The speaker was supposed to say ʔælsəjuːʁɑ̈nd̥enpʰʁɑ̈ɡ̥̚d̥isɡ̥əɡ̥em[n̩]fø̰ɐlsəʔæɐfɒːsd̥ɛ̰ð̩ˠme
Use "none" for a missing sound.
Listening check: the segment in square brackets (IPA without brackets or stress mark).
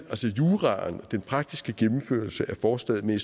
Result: m̩